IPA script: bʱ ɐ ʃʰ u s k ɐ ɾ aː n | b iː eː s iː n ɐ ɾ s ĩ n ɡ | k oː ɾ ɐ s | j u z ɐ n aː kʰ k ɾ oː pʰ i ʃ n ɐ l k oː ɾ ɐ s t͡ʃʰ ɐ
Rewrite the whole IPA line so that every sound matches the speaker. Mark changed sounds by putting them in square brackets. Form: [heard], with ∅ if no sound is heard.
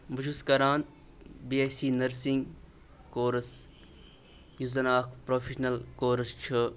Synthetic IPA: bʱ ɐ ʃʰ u s k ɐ ɾ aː n | b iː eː s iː n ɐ ɾ s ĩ [ŋ] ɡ | k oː ɾ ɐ s | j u z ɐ n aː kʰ [p] ɾ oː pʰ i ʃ n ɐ l k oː ɾ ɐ s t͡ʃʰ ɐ